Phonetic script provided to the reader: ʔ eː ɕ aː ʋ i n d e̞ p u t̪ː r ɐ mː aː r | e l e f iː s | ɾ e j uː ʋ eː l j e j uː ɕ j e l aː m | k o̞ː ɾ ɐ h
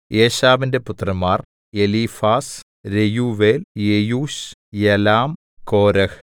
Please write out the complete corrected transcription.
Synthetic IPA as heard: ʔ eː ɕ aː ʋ i n d e̞ p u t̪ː r ɐ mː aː r | e l i f aː s | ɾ e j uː ʋ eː l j e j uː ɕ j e l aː m | k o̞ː ɾ ɐ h